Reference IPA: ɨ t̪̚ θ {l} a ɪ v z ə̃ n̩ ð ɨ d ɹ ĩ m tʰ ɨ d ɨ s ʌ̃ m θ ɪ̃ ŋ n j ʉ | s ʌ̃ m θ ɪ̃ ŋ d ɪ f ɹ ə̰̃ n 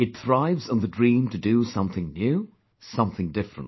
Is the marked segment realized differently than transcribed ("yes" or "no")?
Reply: yes